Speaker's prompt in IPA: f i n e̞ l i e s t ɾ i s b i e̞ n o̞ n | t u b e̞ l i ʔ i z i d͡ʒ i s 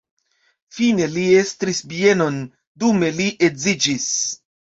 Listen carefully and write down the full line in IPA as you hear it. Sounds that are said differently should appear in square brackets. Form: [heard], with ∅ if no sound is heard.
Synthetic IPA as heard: f i n e̞ l i e s t ɾ i s b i e̞ n o̞ n | [d] u [m] e̞ l i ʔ [e] z i d͡ʒ i s